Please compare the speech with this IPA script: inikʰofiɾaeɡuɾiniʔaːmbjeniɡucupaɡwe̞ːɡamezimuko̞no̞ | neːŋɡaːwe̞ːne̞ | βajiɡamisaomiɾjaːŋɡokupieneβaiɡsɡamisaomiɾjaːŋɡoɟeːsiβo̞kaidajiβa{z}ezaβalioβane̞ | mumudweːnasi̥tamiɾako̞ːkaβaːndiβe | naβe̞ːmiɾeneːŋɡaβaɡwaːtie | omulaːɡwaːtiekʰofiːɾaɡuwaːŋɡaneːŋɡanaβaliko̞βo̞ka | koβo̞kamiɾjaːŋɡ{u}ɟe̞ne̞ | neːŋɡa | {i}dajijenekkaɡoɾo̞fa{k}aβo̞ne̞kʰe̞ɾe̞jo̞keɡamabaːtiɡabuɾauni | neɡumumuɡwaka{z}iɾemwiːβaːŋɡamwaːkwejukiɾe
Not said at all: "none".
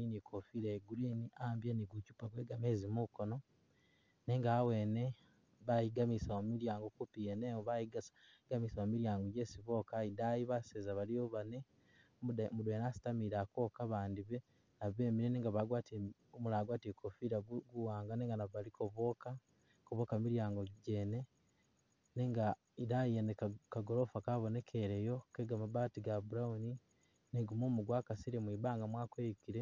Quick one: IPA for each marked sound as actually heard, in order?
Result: s, o, i, k, s

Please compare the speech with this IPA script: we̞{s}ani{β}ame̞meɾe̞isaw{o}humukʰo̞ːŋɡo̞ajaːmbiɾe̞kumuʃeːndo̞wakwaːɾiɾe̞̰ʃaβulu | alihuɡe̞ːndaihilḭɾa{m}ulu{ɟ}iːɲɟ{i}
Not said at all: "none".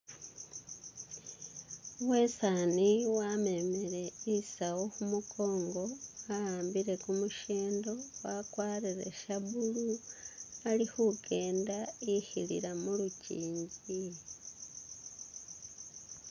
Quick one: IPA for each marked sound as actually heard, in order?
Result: s, w, o, m, c, i

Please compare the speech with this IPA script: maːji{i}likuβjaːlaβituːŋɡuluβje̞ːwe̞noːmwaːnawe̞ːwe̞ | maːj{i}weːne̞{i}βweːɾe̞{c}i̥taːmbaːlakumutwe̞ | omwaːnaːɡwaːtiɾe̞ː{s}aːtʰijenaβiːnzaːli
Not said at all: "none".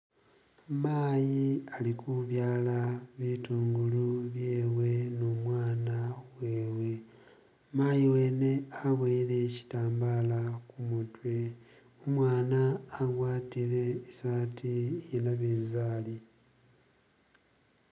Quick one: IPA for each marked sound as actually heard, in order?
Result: a, i, a, c, s

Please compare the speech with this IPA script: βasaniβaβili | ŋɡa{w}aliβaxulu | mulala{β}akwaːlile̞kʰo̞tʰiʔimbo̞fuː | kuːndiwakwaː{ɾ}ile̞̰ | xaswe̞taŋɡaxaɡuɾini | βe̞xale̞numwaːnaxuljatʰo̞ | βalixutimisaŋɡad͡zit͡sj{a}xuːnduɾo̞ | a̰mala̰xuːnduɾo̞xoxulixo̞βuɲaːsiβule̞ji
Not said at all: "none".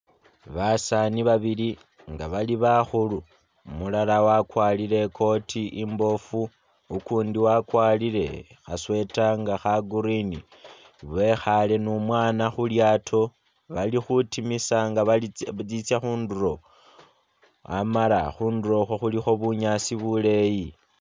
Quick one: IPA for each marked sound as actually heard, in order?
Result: β, w, l, a

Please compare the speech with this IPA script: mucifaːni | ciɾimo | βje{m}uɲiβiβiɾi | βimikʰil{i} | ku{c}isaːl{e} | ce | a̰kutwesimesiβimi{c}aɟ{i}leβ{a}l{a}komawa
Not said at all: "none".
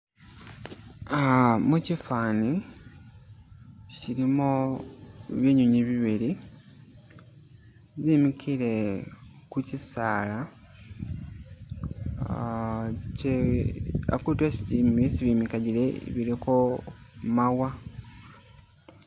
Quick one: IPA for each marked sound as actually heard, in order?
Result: ɲ, e, c, a, k, i, i, i

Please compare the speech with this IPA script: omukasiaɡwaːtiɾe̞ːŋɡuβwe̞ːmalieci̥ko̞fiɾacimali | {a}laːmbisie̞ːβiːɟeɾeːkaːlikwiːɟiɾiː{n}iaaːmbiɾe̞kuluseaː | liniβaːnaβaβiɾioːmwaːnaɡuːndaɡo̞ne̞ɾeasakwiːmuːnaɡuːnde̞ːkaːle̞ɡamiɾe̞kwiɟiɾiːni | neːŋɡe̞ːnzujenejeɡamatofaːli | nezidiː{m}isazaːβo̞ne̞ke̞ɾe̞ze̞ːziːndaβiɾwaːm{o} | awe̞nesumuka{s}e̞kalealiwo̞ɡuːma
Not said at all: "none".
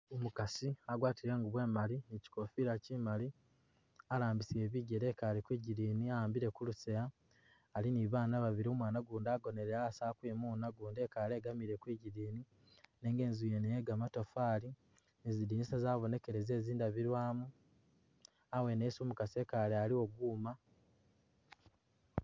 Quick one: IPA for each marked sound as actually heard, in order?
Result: a, n, n, u, s

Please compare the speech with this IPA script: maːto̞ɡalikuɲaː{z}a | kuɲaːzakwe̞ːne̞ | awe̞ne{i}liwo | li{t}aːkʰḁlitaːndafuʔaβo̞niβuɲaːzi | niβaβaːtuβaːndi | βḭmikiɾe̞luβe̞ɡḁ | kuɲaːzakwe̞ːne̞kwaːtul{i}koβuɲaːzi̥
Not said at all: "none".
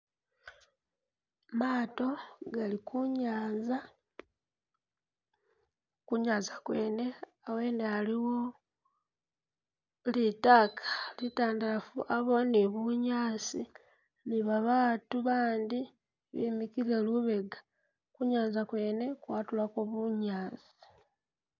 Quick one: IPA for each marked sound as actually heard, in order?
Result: z, a, t, a

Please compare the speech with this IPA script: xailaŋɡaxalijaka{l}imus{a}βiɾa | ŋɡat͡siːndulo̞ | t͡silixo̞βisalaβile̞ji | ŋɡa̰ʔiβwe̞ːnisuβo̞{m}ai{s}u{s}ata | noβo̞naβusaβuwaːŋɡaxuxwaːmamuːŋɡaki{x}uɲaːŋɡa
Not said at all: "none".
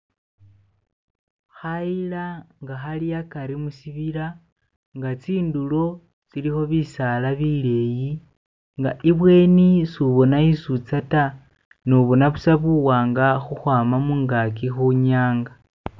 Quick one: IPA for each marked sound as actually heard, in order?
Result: ɾ, i, n, s, t͡s, x

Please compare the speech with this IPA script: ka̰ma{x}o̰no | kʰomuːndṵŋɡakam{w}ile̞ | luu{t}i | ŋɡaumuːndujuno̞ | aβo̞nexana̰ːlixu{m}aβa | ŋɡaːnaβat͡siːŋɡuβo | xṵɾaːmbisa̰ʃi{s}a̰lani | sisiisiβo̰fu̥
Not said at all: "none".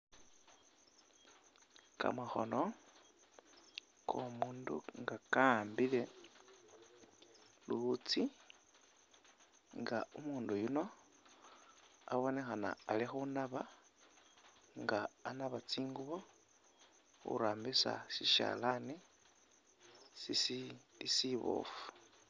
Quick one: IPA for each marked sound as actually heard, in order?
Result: x, b, t͡s, n, ʃ

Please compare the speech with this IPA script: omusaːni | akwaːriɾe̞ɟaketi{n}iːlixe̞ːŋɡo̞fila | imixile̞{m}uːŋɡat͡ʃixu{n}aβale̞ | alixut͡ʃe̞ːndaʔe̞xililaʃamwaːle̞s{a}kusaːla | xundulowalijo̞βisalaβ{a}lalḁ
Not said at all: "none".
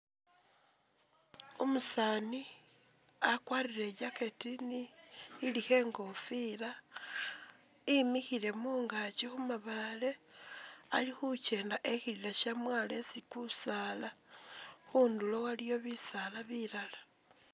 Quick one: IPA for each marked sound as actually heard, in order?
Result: n, m, m, i, i

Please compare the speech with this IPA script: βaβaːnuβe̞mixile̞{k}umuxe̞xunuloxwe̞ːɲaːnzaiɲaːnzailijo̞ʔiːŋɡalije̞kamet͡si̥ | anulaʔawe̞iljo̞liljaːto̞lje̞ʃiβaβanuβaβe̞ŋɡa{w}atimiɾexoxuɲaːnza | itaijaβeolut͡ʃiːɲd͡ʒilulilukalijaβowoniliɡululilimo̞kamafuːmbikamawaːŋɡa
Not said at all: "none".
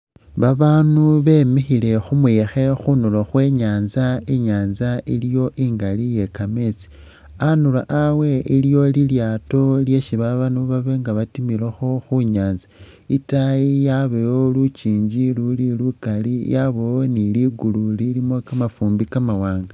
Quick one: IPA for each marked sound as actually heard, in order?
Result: x, β

